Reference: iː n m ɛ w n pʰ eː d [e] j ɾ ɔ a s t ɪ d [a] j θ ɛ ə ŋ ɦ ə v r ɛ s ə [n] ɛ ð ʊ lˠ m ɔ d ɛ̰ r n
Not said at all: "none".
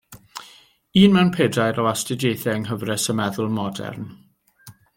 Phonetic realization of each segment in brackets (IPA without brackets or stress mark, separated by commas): a, e, m